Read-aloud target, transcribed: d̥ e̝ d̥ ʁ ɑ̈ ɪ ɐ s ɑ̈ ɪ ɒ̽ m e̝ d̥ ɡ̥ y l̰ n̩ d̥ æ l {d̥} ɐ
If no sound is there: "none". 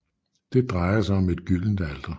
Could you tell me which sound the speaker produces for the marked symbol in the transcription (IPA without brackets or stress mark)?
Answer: d̥